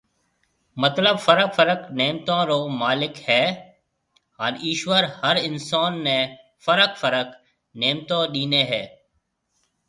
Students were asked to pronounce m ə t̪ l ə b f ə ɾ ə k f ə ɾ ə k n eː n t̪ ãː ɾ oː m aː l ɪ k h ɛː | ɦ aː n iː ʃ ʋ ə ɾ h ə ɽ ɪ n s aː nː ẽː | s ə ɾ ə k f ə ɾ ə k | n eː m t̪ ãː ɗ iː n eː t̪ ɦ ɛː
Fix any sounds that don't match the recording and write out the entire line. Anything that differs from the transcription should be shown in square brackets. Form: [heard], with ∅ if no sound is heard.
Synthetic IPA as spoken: m ə t̪ l ə b f ə ɾ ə k f ə ɾ ə k n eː [m] t̪ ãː ɾ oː m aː l ɪ k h ɛː | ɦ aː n iː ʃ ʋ ə ɾ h ə [ɾ] ɪ n s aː nː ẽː | [f] ə ɾ ə k f ə ɾ ə k | n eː m t̪ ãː ɗ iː n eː [∅] ɦ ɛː